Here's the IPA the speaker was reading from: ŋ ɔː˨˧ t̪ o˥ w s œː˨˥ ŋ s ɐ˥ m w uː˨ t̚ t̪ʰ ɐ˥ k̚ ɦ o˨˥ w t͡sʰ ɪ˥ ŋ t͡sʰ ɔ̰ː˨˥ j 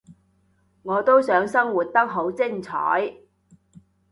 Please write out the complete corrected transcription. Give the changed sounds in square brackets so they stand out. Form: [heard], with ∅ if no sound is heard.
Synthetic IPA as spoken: ŋ ɔː˨˧ t̪ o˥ w s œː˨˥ ŋ s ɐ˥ [ŋ] w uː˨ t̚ [t̪] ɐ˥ k̚ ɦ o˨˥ w [t͡s] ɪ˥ ŋ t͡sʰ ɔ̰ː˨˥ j

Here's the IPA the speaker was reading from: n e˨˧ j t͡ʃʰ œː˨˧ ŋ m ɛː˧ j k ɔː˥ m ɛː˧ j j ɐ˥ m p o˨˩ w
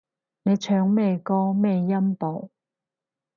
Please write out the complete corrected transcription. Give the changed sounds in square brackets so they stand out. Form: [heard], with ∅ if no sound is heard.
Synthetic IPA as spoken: n e˨˧ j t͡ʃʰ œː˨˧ ŋ m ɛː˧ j k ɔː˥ m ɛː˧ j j ɐ˥ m p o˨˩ w

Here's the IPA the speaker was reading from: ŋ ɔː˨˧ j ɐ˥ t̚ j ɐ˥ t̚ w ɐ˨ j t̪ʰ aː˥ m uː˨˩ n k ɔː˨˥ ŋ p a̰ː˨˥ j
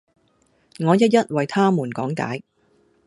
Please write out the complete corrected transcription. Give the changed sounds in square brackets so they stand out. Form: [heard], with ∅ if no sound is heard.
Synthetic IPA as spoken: ŋ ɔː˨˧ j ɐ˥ t̚ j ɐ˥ t̚ w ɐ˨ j t̪ʰ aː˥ m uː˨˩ n k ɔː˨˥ ŋ [k] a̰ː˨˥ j

